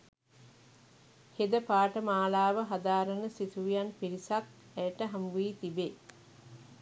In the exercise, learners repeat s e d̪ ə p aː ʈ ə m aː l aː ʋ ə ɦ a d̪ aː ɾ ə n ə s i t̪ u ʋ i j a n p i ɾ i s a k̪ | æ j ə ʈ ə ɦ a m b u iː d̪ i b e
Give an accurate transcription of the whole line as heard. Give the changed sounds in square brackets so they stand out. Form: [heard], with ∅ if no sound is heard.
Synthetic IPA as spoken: [h] e d̪ ə p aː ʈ ə m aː l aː ʋ ə ɦ a d̪ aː ɾ ə n ə s i t̪ u ʋ i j a n p i ɾ i s a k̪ | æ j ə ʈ ə ɦ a m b u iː [t̪] i b e